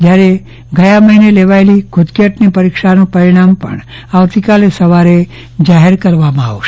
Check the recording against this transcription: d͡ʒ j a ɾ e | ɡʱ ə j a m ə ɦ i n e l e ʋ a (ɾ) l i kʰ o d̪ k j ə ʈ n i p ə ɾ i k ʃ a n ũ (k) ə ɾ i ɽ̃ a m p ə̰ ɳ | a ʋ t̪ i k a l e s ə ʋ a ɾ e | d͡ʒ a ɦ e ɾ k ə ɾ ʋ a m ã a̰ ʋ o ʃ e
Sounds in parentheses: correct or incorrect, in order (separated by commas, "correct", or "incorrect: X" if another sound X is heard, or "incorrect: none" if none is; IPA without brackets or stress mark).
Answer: incorrect: none, incorrect: p